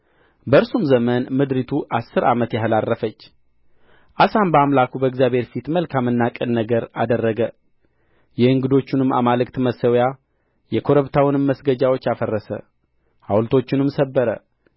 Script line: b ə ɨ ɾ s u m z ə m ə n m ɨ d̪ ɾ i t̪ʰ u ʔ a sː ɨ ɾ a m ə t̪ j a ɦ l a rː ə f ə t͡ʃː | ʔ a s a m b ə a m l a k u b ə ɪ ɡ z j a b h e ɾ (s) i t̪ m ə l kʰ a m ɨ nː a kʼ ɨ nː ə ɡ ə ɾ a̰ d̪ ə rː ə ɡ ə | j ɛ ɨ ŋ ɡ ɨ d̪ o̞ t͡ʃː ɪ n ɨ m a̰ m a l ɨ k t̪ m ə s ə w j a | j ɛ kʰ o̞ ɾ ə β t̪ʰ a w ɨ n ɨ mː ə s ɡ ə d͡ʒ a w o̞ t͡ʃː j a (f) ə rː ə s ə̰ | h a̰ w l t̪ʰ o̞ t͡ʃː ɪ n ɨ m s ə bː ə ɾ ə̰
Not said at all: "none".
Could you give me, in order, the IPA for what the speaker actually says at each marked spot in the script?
f, f

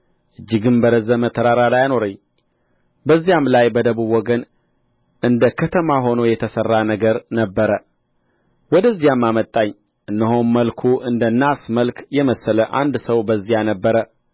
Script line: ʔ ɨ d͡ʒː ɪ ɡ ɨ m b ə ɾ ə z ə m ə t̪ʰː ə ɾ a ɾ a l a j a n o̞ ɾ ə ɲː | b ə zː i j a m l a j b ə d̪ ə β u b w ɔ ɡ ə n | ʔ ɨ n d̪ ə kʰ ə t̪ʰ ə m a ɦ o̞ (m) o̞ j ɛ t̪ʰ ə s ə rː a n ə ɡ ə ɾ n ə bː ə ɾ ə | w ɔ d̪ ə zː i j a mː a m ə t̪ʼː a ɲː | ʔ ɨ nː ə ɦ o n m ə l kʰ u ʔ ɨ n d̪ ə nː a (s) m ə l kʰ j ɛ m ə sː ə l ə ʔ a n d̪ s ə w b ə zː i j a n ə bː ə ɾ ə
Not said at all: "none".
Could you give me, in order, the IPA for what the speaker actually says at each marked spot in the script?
n, s

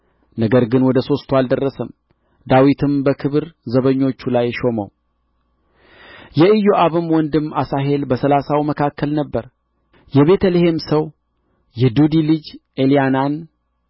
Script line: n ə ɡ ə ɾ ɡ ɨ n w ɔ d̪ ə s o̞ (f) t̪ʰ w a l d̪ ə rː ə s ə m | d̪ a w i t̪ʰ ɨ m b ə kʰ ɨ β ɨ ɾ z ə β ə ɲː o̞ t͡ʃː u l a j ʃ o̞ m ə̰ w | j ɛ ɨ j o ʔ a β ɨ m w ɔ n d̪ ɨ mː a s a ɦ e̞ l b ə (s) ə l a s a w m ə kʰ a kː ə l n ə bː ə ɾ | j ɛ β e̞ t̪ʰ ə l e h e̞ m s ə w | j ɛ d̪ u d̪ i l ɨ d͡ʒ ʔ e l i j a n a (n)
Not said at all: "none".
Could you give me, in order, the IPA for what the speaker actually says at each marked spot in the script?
s, s, n

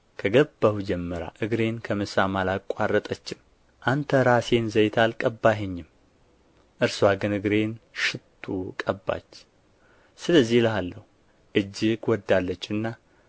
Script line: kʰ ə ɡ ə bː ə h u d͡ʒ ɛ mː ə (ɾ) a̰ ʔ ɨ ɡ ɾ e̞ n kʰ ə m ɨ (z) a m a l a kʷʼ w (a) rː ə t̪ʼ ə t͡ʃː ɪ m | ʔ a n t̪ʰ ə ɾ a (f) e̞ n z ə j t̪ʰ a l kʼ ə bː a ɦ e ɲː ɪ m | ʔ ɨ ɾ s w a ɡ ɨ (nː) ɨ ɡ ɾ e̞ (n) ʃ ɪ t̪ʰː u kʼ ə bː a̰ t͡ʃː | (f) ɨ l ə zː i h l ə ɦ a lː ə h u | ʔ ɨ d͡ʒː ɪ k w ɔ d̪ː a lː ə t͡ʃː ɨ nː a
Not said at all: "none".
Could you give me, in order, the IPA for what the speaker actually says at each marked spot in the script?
ɾ, s, a, s, n, n, s

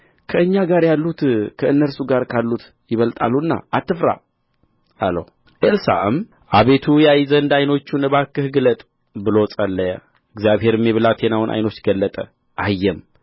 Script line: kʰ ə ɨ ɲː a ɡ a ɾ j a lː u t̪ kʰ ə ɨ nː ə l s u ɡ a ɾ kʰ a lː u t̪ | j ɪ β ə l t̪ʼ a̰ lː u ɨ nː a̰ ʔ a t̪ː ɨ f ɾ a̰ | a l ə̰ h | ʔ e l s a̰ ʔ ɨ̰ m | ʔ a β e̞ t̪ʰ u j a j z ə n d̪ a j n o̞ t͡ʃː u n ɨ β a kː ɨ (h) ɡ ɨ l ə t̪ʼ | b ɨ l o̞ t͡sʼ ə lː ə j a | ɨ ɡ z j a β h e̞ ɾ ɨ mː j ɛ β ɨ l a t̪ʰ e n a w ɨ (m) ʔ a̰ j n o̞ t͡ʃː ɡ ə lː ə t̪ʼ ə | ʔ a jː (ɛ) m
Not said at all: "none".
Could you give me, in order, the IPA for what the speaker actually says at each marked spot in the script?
h, n, ɛ

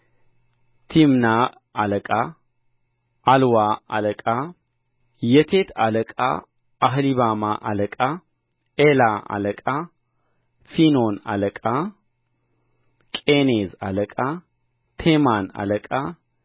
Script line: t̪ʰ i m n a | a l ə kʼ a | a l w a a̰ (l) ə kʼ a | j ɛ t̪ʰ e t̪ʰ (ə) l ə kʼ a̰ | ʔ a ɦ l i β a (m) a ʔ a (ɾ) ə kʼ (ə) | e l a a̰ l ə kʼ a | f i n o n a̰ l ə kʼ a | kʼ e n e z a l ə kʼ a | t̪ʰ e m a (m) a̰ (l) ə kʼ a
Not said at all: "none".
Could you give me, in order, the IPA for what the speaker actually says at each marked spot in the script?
l, a, m, l, a, n, l

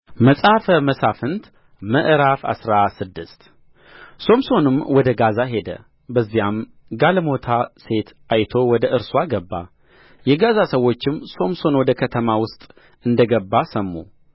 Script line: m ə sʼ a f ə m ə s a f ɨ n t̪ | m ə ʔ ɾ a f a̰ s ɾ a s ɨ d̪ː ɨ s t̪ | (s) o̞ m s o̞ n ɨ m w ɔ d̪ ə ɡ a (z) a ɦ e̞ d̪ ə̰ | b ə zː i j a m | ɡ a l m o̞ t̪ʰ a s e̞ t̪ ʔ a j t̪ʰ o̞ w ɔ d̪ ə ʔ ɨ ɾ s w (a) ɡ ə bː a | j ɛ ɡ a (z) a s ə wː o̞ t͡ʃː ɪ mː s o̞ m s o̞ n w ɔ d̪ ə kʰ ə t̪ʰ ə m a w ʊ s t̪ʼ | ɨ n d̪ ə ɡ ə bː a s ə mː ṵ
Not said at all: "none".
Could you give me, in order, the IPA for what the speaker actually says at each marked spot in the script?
s, z, a, z

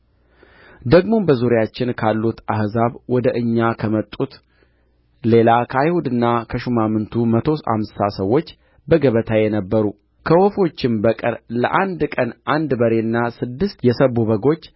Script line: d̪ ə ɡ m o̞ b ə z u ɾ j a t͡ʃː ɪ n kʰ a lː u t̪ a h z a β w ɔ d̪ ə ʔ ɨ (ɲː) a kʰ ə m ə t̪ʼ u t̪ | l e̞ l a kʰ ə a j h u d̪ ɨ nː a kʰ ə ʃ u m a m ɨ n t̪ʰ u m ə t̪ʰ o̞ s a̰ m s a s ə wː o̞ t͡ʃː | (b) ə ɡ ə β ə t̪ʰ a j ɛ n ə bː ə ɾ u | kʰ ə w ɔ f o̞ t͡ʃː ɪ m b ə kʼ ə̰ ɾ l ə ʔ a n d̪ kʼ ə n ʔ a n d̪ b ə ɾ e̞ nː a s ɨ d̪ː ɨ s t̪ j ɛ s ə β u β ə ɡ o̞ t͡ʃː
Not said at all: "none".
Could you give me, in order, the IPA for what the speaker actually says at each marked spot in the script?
ɲː, b

